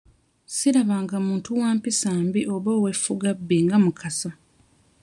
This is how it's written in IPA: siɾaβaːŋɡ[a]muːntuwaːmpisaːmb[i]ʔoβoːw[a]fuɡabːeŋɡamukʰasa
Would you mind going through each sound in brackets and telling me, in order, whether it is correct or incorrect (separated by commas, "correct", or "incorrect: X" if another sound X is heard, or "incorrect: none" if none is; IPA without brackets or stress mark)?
correct, correct, incorrect: e